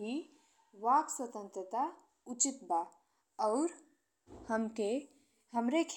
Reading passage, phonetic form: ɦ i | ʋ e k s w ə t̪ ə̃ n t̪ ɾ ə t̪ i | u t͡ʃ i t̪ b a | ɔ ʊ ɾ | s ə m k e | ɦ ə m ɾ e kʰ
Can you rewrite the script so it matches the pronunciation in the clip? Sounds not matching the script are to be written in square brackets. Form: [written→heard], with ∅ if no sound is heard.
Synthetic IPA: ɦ i | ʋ [e→a] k s w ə t̪ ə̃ n t̪ ɾ ə t̪ [i→a] | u t͡ʃ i t̪ b a | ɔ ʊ ɾ | [s→h] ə m k e | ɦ ə m ɾ e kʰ